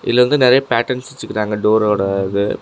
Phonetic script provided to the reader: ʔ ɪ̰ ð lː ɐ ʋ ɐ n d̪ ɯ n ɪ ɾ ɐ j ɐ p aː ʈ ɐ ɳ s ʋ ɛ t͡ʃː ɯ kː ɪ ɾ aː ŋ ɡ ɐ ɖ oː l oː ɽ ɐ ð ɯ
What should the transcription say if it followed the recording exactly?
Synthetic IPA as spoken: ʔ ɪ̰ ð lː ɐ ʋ ɐ n d̪ ɯ n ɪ ɾ ɐ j ɐ p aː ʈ ɐ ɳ s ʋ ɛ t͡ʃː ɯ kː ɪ ɾ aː ŋ ɡ ɐ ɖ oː ɾ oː ɽ ɐ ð ɯ